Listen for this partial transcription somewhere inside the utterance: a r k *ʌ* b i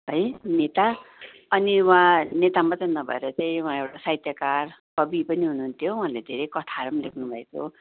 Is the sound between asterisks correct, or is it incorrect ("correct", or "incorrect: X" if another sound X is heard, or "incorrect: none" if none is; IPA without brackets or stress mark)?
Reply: correct